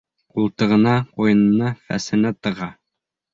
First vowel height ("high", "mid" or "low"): high